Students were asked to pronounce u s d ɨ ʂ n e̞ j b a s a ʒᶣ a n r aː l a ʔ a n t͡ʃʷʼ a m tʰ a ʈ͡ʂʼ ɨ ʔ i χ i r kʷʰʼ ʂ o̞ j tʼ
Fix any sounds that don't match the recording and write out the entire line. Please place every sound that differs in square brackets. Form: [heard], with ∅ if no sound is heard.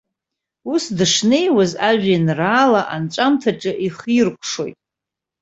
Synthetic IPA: u s d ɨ ʂ n e̞ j [w] a [z] a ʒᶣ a n r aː l a ʔ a n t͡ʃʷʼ a m tʰ a ʈ͡ʂʼ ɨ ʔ i χ i r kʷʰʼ ʂ o̞ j tʼ